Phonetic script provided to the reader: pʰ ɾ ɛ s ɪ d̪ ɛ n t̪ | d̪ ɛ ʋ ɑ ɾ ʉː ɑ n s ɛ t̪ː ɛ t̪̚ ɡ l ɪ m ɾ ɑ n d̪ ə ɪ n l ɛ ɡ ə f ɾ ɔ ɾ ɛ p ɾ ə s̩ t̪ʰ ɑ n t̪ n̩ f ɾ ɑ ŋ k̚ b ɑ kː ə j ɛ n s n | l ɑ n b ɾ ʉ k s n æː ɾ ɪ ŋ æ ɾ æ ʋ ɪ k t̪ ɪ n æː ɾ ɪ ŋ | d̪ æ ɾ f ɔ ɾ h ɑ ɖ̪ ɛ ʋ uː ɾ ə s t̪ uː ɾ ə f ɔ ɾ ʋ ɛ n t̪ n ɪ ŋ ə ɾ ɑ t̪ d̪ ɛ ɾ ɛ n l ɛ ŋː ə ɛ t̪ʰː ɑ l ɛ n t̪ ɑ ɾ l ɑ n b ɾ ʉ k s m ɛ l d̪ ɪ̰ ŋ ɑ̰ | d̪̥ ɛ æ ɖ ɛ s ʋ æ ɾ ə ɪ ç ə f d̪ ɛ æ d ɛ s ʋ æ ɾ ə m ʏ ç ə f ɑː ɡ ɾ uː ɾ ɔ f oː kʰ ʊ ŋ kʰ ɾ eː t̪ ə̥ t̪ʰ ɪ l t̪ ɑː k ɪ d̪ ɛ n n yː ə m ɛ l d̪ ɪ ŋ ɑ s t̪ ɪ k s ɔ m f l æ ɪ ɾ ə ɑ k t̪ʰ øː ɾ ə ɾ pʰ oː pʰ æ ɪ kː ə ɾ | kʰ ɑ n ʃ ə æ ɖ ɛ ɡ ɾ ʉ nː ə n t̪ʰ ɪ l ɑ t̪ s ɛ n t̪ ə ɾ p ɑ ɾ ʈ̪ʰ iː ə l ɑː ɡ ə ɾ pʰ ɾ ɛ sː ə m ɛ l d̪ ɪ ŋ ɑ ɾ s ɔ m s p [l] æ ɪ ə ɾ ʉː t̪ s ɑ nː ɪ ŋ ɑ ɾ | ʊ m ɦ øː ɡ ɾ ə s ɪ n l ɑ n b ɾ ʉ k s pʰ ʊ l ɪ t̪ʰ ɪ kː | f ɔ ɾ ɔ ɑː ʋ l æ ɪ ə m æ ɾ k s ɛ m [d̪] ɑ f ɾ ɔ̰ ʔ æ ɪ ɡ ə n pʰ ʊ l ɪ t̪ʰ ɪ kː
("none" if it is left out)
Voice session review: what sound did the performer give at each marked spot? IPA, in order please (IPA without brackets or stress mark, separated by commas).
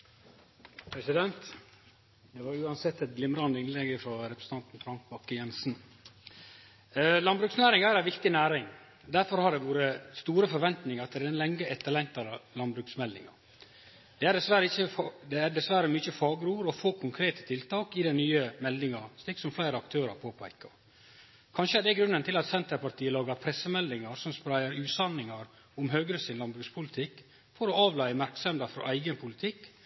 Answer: ɾ, d̪